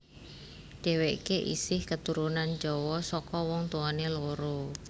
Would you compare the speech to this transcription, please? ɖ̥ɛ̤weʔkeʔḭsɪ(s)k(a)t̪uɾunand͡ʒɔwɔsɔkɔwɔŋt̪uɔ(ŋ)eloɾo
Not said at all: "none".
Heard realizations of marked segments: h, ə, n

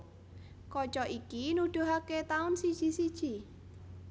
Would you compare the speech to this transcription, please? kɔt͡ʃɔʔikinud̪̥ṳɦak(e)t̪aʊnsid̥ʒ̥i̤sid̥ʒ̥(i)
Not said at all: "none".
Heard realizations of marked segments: e, i

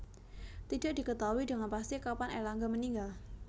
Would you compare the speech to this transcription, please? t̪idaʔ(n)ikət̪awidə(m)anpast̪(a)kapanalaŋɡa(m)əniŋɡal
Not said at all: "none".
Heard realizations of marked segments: d, ŋ, i, m

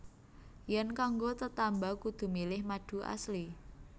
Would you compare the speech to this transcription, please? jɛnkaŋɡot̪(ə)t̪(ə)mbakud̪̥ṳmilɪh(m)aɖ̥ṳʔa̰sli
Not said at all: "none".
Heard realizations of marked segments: ə, a, m

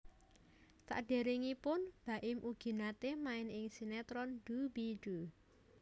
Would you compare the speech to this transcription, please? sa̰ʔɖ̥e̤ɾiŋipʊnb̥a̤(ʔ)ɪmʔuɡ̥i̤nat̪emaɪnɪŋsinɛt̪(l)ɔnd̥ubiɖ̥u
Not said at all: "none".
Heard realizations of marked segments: ʔ, ɾ

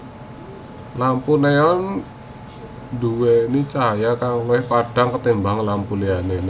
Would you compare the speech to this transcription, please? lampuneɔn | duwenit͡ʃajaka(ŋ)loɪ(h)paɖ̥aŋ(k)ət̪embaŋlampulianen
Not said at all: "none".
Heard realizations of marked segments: ŋ, h, k

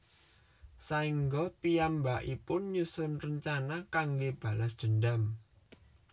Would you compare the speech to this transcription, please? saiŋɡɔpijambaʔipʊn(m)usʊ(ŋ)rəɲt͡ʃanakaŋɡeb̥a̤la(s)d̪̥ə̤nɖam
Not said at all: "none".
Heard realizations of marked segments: ɲ, n, s

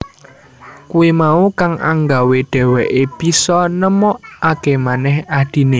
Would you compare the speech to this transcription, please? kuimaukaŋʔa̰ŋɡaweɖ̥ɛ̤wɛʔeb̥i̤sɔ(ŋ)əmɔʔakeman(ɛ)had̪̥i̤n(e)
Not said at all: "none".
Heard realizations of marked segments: n, ɛ, e

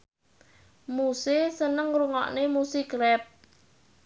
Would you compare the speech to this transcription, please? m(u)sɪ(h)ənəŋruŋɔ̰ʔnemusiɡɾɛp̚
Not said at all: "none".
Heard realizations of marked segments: u, s

